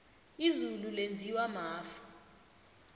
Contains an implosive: no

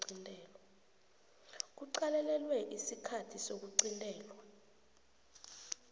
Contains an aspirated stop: yes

